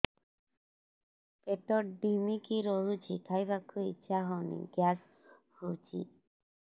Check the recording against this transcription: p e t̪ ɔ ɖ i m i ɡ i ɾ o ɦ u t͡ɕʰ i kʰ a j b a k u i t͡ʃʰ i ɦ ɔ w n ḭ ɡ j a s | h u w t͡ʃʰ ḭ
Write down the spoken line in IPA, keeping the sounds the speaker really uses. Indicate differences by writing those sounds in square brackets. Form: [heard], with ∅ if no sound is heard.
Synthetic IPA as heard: p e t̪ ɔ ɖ i m i [k] i ɾ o ɦ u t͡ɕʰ i kʰ a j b a k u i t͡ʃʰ [a] ɦ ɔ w n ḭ ɡ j a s | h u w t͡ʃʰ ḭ